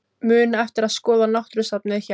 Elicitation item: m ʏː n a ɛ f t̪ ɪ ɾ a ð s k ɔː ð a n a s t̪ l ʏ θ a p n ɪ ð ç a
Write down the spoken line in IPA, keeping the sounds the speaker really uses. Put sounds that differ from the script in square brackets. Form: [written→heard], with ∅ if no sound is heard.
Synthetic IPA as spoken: m ʏː n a ɛ f t̪ ɪ ɾ a ð s k ɔː ð a n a [s→h] t̪ [l→ɾ] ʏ [θ→s] a p n ɪ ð ç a